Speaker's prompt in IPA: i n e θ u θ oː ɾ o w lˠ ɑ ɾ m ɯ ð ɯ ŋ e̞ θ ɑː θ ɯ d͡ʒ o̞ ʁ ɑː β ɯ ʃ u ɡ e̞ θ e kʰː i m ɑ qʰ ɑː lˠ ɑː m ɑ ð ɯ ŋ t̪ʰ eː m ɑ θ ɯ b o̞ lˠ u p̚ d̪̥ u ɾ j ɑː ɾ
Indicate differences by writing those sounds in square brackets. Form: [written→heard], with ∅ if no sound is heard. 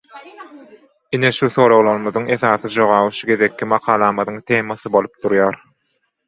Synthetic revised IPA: i n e [θ→ʃ] u θ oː ɾ o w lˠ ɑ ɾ m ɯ ð ɯ ŋ e̞ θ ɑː θ ɯ d͡ʒ o̞ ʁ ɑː β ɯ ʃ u ɡ e̞ [θ→ð] e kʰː i m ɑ qʰ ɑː lˠ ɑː m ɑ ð ɯ ŋ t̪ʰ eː m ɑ θ ɯ b o̞ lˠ u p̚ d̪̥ u ɾ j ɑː ɾ